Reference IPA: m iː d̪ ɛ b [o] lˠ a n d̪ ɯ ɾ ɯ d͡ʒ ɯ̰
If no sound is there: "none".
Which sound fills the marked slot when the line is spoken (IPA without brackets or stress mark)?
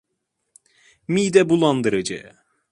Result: u